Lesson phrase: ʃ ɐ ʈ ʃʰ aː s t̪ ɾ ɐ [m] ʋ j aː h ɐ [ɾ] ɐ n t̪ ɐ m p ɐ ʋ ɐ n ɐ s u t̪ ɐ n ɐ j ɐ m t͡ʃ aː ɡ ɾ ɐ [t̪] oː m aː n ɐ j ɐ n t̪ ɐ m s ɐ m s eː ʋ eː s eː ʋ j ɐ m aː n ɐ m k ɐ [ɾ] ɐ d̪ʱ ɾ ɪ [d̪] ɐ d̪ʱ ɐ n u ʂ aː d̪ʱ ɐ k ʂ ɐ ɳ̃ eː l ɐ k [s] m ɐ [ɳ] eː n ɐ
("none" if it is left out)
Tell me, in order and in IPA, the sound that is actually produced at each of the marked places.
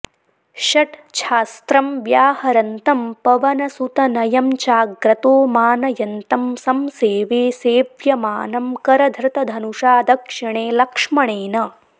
m, ɾ, t̪, ɾ, t̪, ʂ, ɳ

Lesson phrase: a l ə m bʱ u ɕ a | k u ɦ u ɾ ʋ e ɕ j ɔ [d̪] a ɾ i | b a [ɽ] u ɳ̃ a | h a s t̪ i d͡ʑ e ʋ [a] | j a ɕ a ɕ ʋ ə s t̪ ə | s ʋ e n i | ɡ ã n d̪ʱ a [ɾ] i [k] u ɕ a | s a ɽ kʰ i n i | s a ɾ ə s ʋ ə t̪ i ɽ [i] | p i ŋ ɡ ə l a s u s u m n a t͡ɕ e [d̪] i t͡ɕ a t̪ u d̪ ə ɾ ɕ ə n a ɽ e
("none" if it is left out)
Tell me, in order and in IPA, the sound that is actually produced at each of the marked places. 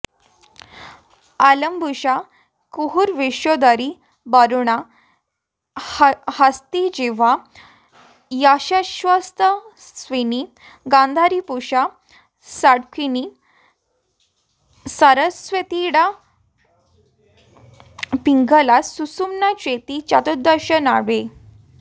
d̪, ɾ, a, ɾ, p, a, t̪

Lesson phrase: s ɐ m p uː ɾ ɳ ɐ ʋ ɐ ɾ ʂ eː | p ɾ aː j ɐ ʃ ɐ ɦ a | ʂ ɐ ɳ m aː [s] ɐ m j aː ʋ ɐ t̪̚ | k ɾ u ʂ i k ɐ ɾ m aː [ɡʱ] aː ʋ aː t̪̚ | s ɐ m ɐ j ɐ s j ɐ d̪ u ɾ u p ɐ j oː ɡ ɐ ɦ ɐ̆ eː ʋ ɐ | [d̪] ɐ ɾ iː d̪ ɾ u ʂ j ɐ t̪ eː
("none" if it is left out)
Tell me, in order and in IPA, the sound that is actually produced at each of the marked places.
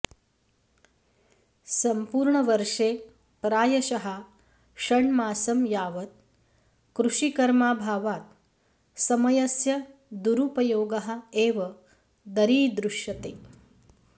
s, bʱ, d̪

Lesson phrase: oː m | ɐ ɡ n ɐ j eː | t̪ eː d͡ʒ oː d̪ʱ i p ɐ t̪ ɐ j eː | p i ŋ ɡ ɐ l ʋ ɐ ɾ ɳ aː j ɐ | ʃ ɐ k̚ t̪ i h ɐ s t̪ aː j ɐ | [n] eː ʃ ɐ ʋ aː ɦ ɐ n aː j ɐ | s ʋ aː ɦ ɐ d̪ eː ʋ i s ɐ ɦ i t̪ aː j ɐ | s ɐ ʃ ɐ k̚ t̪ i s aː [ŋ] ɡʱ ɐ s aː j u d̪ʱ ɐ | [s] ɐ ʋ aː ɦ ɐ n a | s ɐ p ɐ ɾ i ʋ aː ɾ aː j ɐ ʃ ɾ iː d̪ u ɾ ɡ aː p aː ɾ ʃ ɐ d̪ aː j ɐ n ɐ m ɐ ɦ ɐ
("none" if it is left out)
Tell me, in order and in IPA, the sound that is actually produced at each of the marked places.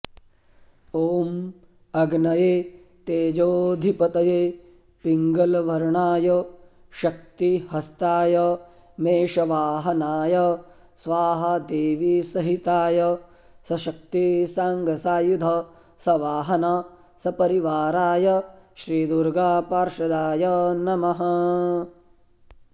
m, ŋ, s

